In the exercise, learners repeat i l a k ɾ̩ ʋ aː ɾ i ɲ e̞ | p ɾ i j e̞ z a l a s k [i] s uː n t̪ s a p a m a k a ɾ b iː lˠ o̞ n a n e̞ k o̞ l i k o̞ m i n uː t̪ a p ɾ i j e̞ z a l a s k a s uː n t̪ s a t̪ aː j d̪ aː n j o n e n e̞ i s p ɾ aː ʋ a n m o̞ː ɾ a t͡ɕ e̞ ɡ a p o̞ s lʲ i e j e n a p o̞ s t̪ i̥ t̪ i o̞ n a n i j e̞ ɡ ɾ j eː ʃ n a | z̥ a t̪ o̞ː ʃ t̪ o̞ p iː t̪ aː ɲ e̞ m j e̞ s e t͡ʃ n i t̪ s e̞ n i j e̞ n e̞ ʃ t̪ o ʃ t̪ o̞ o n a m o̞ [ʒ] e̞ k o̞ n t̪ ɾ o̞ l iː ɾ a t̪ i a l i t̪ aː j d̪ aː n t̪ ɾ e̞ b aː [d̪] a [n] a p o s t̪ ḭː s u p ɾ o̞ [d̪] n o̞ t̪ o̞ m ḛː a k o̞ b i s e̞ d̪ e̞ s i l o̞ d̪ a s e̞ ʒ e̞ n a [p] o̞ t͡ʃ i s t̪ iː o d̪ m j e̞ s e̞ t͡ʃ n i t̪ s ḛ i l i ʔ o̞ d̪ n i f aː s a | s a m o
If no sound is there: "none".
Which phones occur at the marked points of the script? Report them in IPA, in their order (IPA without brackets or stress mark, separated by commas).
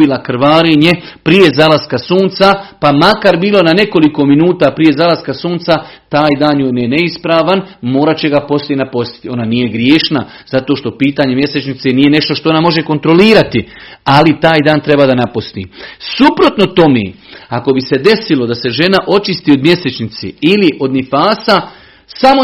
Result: a, ʒ, d̪, n, t̪, ʔ